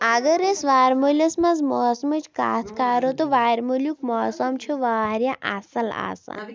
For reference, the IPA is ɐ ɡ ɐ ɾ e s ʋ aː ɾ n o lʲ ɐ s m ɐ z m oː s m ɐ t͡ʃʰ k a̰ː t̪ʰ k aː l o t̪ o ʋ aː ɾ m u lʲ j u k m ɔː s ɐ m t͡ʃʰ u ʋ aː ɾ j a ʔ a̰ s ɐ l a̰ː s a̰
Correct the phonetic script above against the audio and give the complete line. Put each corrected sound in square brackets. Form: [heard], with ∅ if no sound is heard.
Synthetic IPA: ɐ ɡ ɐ ɾ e s ʋ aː ɾ [m] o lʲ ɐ s m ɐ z m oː s m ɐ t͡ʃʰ k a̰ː t̪ʰ k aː [ɾ] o t̪ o ʋ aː ɾ m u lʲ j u k m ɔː s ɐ m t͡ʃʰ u ʋ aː ɾ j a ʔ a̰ s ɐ l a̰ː s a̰